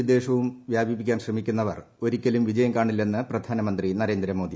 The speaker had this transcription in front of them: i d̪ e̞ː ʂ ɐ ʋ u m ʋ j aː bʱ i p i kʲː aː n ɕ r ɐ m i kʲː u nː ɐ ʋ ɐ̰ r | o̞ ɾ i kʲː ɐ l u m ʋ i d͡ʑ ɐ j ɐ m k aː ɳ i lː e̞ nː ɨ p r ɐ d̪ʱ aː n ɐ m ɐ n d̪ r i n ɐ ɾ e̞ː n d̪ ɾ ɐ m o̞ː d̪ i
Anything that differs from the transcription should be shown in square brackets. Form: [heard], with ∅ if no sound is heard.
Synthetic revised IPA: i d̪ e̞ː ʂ ɐ ʋ u m ʋ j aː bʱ i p i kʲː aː n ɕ r ɐ m i kʲː u nː ɐ ʋ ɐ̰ r | o̞ ɾ i kʲː ɐ l u m ʋ i d͡ʑ ɐ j ɐ m k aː ɳ i lː e̞ nː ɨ p r ɐ d̪ʱ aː n ɐ m ɐ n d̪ r i n ɐ ɾ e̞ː n d̪ ɾ ɐ m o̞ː d̪ i